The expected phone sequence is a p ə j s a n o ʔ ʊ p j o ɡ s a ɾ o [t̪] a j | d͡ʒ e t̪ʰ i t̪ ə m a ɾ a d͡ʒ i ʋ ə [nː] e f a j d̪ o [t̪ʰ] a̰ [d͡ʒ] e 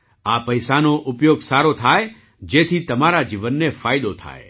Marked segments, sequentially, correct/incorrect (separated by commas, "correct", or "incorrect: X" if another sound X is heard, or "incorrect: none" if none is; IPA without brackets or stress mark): incorrect: t̪ʰ, correct, correct, incorrect: none